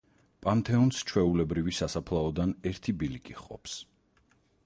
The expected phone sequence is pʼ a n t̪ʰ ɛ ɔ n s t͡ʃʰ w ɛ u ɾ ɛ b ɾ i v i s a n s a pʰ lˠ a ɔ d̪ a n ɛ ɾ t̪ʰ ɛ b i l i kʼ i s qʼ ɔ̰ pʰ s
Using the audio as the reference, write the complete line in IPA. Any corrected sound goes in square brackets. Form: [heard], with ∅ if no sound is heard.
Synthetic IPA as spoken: pʼ a n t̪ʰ ɛ ɔ n s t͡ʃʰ w ɛ u [l] ɛ b ɾ i v i s a [∅] s a pʰ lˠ a ɔ d̪ a n ɛ ɾ t̪ʰ [i] b i l i kʼ i [χ] qʼ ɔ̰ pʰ s